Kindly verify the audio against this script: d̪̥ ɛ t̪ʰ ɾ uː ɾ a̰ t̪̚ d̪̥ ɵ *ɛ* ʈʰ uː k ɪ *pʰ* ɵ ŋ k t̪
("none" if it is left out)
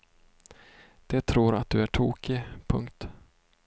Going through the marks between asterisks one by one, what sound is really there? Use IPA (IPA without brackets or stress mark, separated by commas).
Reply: æ, pʰ